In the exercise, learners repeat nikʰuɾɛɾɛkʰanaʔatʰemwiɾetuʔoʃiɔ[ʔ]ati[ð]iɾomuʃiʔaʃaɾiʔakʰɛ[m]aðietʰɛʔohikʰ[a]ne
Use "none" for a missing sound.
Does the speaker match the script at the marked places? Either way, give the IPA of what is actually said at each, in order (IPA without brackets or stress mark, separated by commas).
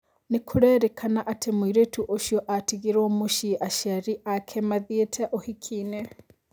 ʔ, ɣ, m, i